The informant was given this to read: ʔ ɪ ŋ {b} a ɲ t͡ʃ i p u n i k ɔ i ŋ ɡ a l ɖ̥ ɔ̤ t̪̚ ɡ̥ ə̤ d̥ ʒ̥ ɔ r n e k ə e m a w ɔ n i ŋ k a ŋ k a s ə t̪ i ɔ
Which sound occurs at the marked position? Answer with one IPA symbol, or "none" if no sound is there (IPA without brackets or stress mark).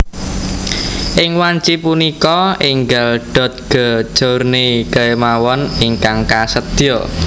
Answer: w